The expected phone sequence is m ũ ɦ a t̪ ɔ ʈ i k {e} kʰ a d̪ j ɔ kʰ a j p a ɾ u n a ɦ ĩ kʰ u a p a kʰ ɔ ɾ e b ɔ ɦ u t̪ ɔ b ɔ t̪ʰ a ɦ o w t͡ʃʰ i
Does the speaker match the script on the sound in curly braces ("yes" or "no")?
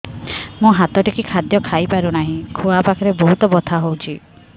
no